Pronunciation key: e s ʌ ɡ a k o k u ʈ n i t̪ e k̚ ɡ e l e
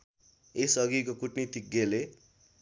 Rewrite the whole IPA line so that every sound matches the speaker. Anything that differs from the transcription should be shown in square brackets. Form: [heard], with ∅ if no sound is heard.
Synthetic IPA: e s ʌ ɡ [i] k o k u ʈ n i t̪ [i] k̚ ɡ e l e